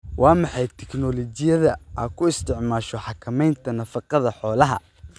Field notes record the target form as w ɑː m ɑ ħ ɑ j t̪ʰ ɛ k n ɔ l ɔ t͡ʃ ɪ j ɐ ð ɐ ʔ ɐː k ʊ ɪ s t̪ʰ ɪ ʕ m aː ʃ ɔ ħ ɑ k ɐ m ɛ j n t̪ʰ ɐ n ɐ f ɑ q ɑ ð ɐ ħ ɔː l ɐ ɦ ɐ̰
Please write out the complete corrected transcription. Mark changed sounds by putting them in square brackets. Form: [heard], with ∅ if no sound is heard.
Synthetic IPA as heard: w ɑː m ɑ ħ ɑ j t̪ʰ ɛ k n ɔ l ɔ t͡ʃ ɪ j ɐ ð ɐ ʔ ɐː [kʰ] ʊ ɪ s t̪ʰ ɪ ʕ m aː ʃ ɔ ħ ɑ [kʰ] ɐ m ɛ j n t̪ʰ ɐ n ɐ f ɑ q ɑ ð ɐ ħ ɔː l ɐ ɦ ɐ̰

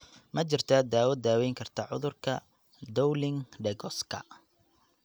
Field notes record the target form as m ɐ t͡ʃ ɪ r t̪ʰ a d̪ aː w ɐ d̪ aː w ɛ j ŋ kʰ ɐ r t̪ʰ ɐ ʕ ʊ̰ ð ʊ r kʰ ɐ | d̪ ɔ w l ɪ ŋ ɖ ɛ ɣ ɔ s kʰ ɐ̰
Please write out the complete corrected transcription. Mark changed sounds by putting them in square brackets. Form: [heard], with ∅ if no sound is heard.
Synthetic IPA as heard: m ɐ t͡ʃ ɪ r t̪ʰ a d̪ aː w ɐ d̪ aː w ɛ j ŋ kʰ ɐ r t̪ʰ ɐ ʕ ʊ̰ ð ʊ r kʰ ɐ | d̪ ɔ w l ɪ ŋ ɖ ɛ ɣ ɔ s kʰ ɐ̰

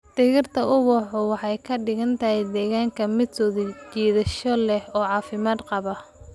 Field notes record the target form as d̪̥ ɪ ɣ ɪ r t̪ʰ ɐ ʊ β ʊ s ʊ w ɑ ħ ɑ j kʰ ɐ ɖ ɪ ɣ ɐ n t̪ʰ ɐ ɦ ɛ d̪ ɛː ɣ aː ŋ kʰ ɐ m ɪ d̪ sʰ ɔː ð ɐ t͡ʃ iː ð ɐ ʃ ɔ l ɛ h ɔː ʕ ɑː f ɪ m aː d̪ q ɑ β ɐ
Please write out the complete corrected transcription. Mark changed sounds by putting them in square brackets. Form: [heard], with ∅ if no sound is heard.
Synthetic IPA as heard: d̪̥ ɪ ɣ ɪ r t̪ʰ ɐ ʊ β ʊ [ħ] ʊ w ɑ ħ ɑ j kʰ ɐ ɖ ɪ ɣ ɐ n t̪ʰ ɐ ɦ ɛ d̪ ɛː ɣ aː ŋ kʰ ɐ m ɪ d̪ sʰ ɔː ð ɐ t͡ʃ iː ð ɐ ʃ ɔ l ɛ h ɔː ʕ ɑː f ɪ m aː d̪ q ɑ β ɐ

